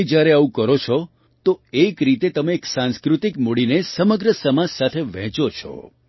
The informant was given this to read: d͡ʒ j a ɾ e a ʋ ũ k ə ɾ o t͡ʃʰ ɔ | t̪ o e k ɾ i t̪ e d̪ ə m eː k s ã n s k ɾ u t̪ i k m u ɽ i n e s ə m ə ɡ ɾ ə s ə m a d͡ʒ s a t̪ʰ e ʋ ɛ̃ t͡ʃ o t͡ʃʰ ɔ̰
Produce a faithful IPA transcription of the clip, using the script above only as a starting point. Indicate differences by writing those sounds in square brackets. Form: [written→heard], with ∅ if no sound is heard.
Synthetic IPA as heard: d͡ʒ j a ɾ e a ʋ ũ k ə ɾ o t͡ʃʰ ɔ | t̪ o e k ɾ i t̪ e [d̪→t̪] ə m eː k s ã n s k ɾ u t̪ i k m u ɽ i n e s ə m ə ɡ ɾ ə s ə m a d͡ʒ s a t̪ʰ e ʋ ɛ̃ t͡ʃ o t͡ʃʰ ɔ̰